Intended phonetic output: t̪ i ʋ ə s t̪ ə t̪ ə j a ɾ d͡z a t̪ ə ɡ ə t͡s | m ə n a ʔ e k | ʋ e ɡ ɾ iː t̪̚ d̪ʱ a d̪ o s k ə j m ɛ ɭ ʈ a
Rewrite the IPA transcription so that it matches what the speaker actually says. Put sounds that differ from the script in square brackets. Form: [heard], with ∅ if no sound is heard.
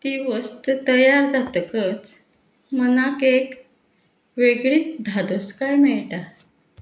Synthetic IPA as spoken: t̪ i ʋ ə s t̪ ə t̪ ə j a ɾ d͡z a t̪ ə [k] ə t͡s | m ə n a [k] e k | ʋ e ɡ [ɭ] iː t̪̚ d̪ʱ a d̪ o s k [a] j m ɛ ɭ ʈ a